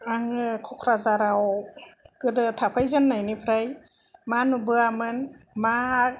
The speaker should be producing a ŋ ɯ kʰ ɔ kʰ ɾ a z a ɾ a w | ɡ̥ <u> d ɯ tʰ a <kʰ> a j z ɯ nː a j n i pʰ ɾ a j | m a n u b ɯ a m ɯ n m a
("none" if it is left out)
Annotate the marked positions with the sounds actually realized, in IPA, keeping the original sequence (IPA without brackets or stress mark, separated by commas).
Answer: ɯ, pʰ